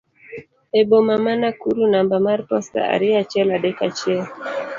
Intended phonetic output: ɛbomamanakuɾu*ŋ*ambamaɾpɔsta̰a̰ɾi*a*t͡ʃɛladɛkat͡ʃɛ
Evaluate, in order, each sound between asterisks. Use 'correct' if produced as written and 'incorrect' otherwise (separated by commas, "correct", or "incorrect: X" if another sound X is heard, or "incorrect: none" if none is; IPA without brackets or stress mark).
incorrect: n, correct